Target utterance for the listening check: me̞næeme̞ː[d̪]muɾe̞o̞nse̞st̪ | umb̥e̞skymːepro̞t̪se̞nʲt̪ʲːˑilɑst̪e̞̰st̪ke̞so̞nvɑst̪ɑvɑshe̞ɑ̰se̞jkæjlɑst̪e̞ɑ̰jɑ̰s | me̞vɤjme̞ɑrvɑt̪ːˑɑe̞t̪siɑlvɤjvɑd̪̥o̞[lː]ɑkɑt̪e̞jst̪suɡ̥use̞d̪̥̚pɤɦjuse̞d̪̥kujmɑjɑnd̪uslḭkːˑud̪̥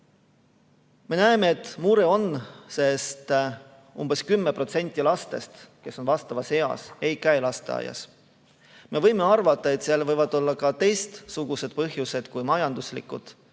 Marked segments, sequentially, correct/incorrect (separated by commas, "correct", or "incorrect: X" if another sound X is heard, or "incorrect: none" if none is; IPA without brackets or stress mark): incorrect: t̪, correct